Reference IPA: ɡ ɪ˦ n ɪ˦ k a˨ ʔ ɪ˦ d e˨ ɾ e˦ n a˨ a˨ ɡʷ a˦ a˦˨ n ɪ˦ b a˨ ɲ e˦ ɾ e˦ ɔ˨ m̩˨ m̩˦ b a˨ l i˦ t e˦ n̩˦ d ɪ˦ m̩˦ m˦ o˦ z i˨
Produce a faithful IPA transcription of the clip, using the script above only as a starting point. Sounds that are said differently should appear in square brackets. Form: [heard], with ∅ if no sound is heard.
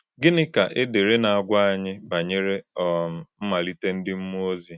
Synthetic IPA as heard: ɡ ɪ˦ n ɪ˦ k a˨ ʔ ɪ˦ d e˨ ɾ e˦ n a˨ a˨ ɡʷ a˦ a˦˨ [ɲ] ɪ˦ b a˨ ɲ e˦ ɾ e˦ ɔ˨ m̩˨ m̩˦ [m] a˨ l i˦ t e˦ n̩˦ d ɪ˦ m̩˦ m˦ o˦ z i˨